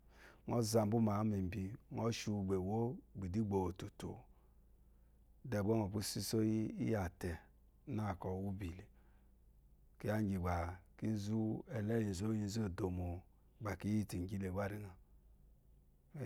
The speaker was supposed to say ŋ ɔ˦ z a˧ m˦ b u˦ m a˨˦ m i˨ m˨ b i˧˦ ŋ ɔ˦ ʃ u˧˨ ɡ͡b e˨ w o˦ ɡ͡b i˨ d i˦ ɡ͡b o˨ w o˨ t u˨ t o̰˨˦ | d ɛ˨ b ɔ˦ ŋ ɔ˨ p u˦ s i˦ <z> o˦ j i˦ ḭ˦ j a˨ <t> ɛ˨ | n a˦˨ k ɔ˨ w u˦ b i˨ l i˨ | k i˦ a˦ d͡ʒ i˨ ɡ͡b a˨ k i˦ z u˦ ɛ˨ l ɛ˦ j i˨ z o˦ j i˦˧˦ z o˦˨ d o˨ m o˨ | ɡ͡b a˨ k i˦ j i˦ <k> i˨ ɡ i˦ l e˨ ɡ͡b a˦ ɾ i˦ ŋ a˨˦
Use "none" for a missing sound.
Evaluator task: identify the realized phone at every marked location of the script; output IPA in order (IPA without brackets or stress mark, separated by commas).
s, t, t